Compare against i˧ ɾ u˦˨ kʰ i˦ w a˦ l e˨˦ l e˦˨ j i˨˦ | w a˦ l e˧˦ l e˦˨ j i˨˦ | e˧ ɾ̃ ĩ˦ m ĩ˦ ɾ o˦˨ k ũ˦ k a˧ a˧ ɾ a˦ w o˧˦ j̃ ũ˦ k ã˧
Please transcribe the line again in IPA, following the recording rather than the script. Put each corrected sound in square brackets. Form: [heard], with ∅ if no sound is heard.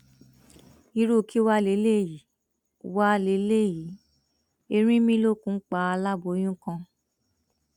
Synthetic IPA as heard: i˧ ɾ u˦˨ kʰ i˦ w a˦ l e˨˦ l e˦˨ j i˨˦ | w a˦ l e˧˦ l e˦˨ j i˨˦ | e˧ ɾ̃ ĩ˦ m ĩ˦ [l] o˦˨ k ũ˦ [k͡p] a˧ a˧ [l] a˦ [b] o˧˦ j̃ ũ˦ k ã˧